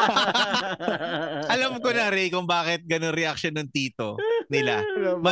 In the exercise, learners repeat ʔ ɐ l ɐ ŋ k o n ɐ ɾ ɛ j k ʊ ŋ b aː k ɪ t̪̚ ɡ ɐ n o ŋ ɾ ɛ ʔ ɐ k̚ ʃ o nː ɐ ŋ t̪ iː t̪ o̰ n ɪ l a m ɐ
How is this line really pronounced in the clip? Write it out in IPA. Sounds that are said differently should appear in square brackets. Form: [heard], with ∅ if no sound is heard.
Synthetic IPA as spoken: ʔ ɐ l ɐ [m] k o n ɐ ɾ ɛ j k ʊ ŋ b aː k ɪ t̪̚ ɡ ɐ n o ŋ ɾ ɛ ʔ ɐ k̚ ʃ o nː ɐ ŋ t̪ iː t̪ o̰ n ɪ l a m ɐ